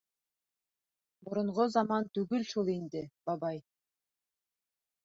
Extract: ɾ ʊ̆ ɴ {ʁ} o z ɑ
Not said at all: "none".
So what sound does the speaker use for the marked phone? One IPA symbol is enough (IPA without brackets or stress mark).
ʁ